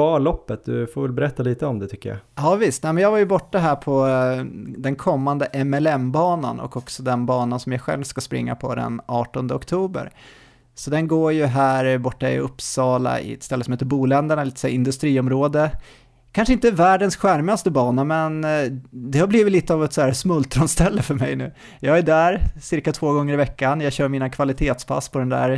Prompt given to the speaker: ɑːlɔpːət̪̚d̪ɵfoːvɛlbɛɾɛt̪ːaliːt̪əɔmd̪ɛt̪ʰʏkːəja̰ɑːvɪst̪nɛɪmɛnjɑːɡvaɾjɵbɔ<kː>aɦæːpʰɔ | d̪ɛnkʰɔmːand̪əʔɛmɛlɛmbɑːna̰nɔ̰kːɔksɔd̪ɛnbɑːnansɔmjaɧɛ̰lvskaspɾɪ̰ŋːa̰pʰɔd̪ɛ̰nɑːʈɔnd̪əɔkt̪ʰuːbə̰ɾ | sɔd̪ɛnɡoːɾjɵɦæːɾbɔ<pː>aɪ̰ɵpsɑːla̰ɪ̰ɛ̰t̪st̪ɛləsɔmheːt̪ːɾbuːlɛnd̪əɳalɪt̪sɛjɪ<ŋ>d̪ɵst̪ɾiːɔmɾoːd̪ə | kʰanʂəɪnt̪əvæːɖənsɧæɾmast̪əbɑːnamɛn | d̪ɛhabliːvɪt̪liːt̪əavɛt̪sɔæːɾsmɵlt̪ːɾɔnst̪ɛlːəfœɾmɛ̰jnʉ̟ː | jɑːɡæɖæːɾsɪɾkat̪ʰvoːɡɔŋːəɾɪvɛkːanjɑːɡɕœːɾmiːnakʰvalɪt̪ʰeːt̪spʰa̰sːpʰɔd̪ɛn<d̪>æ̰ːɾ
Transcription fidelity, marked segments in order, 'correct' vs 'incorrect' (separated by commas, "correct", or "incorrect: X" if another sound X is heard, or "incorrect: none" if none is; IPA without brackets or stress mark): incorrect: ʈː, incorrect: ʈː, incorrect: n, correct